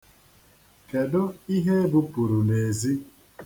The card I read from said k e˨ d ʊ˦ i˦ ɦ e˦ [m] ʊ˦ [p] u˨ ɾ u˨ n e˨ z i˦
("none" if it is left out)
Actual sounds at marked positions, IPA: b, p

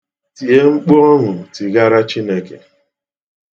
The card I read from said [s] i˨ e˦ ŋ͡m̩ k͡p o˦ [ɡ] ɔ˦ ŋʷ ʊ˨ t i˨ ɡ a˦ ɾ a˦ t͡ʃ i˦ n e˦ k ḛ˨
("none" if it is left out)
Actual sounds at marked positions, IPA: t, none

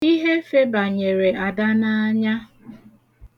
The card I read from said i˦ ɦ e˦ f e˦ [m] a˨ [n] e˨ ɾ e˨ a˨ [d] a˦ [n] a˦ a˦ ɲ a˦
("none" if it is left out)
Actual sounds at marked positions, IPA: b, ɲ, d, n

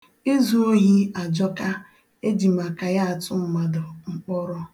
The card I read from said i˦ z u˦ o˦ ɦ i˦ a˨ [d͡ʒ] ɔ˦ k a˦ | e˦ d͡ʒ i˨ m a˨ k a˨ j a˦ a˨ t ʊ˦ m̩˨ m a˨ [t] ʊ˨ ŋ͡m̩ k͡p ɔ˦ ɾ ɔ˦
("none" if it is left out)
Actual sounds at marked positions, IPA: d͡ʒ, d

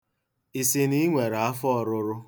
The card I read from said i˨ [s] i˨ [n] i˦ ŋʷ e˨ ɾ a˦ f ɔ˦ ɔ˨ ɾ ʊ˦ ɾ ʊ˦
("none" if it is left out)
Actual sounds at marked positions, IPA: s, n

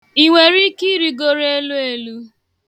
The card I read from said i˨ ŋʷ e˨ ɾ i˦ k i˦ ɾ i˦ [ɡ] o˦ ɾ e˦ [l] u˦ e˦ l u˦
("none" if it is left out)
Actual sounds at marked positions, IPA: ɡ, l

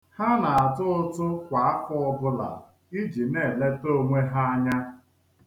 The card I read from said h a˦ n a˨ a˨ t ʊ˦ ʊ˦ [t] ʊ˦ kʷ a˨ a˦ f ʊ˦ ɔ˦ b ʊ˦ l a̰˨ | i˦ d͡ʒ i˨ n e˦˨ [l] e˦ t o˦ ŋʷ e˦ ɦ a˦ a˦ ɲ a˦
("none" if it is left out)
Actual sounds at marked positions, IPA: t, l

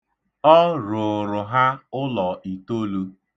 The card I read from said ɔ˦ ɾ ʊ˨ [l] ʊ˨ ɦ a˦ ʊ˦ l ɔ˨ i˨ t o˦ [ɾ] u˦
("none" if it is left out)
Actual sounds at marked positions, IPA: ɾ, l

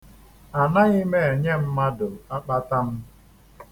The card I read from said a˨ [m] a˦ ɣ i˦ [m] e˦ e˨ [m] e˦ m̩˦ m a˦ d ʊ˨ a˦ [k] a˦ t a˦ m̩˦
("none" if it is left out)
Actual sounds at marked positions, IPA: n, m, ɲ, k͡p

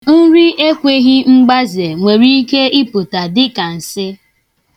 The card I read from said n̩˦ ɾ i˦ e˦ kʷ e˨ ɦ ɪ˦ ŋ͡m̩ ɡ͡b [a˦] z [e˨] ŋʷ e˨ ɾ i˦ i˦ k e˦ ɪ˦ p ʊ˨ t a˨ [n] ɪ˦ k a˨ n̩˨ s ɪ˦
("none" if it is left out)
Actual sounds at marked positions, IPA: a˦, e˨, d

